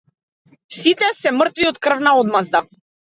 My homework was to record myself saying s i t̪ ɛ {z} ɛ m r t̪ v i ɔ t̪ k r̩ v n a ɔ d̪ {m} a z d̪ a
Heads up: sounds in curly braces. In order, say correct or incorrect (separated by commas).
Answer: incorrect, correct